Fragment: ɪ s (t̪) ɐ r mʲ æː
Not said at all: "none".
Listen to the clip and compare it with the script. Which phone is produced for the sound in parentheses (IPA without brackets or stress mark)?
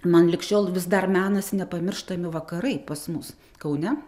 d̪